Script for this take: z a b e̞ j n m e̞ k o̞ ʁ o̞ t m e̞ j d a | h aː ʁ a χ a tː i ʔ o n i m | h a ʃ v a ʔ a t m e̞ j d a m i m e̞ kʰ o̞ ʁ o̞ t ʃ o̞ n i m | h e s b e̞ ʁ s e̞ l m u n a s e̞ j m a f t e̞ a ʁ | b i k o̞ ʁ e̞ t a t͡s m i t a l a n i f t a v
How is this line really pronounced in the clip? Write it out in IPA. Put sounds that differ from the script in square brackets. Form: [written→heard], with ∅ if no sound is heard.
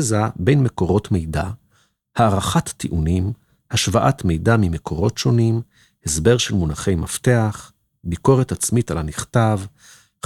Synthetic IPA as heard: z a b e̞ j n m e̞ k o̞ ʁ o̞ t m e̞ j d a | h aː ʁ a χ a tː i ʔ [o→u] n i m | h a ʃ v a ʔ a t m e̞ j d a m i m e̞ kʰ o̞ ʁ o̞ t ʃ o̞ n i m | h e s b e̞ ʁ [s→ʃ] e̞ l m u n a [s→χ] e̞ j m a f t e̞ a [ʁ→χ] | b i k o̞ ʁ e̞ t a t͡s m i t a l a n i [f→χ] t a v